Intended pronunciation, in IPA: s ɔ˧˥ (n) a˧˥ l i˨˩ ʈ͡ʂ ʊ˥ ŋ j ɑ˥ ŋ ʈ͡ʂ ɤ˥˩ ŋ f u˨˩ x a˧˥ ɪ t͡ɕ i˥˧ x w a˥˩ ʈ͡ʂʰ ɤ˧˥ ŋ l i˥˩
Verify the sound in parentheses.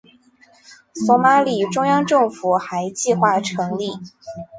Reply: incorrect: m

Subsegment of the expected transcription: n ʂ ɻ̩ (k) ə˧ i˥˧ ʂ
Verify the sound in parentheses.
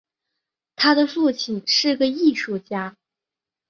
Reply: incorrect: ɡ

